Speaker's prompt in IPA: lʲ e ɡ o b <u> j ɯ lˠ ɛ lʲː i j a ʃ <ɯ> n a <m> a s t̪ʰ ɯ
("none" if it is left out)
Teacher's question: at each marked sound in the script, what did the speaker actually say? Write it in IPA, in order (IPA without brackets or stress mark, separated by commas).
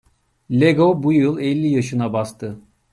u, ɯ, b